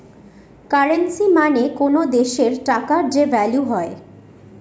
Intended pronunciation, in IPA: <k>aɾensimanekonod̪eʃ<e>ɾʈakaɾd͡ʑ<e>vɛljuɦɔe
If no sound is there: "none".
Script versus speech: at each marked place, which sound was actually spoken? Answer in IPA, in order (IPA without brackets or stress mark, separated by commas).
k, e, e